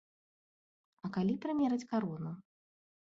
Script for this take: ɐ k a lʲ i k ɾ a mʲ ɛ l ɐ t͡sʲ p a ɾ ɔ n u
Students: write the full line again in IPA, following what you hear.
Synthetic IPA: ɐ k a lʲ i p ɾ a mʲ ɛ ɾ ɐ t͡sʲ k a ɾ ɔ n u